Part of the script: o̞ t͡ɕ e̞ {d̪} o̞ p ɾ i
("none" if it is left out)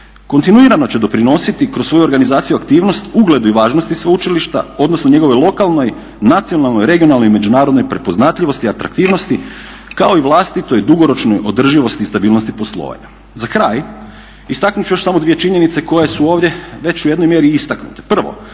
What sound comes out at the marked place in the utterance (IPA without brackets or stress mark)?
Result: d̪